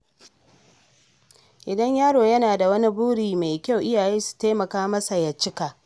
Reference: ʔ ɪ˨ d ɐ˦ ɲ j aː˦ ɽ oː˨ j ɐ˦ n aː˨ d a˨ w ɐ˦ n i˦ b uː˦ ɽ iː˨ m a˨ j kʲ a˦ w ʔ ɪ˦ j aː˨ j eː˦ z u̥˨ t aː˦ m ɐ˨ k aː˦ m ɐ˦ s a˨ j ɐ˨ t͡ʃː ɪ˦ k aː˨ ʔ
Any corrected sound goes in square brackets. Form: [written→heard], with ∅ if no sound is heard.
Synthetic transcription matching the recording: ʔ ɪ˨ d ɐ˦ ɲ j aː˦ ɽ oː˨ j ɐ˦ n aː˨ d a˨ w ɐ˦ n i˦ b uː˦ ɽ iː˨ m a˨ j kʲ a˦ w ʔ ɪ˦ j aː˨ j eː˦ [z→s] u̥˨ t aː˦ m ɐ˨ k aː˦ m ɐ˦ s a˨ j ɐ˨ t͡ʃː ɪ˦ k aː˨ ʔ